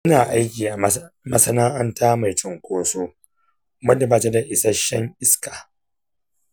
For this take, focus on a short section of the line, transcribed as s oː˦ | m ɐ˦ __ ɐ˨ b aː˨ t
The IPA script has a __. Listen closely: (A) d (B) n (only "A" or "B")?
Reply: A